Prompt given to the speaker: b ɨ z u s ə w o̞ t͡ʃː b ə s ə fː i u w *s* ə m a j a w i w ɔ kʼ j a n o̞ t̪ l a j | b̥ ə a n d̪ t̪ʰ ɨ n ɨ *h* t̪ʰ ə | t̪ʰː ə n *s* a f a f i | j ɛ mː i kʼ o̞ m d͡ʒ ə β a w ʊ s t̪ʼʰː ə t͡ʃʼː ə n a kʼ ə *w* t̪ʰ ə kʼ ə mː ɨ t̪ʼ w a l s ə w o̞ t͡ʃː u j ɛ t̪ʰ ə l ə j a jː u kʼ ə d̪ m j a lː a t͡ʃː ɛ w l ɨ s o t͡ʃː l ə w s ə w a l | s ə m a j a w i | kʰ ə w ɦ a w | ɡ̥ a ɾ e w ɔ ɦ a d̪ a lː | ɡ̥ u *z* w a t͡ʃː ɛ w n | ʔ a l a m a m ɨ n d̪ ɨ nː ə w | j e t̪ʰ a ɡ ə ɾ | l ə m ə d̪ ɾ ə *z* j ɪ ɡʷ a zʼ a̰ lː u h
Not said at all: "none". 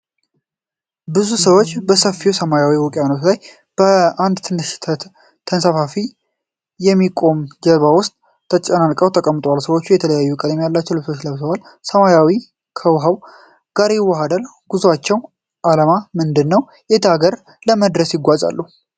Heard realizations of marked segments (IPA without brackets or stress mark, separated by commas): s, ʃ, s, w, z, s